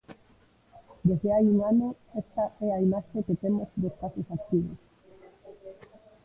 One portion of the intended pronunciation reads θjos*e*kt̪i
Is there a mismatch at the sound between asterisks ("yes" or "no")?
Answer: yes